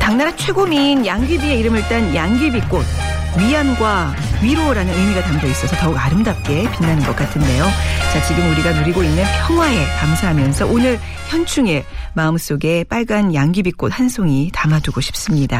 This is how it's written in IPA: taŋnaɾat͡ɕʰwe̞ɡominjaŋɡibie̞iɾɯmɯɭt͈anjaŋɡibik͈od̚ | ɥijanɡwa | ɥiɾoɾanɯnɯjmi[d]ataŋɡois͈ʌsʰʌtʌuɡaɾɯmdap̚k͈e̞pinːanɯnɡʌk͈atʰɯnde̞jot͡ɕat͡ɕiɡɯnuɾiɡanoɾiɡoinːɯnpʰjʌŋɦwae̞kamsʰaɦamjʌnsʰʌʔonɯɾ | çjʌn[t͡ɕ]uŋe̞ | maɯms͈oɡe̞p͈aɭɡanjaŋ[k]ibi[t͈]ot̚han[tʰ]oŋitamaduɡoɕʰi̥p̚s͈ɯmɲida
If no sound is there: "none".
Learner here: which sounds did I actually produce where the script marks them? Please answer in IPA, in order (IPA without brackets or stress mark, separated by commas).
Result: ɡ, t͡ɕʰ, ɡ, k͈, sʰ